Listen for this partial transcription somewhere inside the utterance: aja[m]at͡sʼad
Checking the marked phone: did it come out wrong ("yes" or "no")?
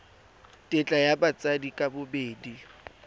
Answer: yes